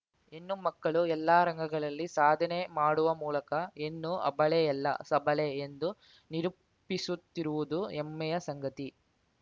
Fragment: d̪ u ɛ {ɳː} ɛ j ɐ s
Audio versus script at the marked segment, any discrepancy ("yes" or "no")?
yes